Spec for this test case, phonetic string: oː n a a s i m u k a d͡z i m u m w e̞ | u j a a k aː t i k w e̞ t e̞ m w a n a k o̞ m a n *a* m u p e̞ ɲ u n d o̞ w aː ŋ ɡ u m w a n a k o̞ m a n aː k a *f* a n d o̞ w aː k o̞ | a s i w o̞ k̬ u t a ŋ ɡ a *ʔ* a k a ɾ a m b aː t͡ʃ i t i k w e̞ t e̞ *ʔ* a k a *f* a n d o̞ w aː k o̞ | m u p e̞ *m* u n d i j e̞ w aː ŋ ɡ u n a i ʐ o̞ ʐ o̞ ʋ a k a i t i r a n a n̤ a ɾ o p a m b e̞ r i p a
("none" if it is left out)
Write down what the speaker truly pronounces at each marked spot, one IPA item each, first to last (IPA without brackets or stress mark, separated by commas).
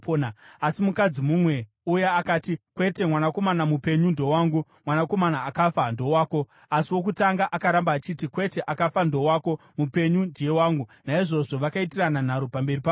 a, f, ʔ, ʔ, f, ɲ